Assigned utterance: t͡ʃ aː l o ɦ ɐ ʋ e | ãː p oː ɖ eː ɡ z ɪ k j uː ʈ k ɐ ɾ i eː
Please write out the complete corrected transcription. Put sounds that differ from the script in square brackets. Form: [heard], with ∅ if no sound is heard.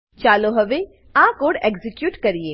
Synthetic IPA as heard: t͡ʃ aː l o ɦ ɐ ʋ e | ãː [k] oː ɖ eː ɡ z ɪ k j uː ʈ k ɐ ɾ i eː